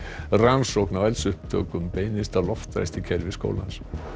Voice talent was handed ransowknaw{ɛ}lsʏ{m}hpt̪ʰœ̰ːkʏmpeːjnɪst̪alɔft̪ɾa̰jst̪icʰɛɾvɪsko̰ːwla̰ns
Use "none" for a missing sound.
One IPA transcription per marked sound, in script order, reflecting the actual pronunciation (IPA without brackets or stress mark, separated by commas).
ɛ, none